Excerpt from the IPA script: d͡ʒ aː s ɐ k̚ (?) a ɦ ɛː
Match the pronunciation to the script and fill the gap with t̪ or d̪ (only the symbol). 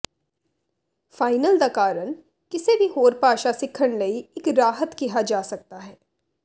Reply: t̪